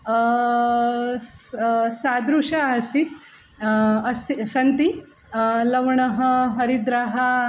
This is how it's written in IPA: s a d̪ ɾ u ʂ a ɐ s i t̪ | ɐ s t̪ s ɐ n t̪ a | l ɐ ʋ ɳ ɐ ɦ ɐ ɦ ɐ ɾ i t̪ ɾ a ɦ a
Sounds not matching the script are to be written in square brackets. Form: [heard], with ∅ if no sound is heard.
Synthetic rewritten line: s a d̪ ɾ u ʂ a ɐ s i t̪ | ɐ s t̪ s ɐ n t̪ [i] | l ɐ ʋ ɳ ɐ ɦ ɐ ɦ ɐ ɾ i [d̪] ɾ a ɦ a